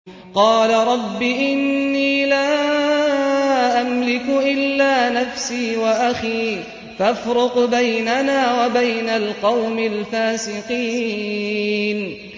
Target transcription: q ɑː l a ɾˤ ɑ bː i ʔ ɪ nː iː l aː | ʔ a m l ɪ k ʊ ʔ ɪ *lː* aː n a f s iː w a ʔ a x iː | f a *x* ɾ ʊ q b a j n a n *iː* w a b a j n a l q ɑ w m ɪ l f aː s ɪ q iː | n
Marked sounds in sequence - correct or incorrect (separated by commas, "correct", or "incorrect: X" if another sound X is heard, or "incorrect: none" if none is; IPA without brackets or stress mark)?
correct, incorrect: f, incorrect: aː